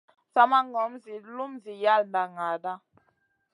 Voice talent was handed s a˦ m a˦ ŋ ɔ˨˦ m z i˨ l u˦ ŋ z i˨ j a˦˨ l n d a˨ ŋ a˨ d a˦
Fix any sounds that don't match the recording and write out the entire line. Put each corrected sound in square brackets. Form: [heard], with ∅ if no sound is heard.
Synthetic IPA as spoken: s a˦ m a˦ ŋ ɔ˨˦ m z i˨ l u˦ [m] z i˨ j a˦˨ l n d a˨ ŋ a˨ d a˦